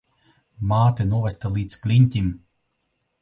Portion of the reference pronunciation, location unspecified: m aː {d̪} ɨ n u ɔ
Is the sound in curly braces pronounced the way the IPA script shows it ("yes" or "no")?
no